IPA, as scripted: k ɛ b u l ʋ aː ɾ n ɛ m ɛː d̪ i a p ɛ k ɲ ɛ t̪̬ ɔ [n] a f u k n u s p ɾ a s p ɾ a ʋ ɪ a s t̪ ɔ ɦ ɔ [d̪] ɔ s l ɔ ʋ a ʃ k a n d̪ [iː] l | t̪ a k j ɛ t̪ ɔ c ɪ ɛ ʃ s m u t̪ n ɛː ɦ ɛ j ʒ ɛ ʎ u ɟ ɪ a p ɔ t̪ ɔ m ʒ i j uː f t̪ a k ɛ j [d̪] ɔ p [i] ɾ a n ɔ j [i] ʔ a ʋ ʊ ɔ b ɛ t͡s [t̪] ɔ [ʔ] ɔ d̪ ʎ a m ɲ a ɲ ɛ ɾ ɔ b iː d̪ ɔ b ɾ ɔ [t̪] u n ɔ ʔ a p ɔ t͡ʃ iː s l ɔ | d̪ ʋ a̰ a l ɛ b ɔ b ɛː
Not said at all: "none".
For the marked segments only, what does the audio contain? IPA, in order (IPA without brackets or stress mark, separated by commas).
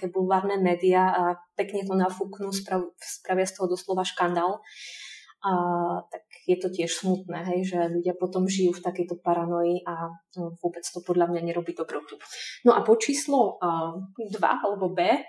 n, d̪, aː, t̪, a, i, t̪, p, t̪